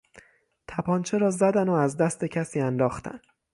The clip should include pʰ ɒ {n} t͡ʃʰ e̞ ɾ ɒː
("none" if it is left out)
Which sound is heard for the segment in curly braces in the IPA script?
n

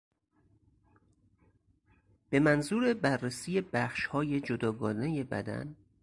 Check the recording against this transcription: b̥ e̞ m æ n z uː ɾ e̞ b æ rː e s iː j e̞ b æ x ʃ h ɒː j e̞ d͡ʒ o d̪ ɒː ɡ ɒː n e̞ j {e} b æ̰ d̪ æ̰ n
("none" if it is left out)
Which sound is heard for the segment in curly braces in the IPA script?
e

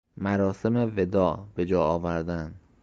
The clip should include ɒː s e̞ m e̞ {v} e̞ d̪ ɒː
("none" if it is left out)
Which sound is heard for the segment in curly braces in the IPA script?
v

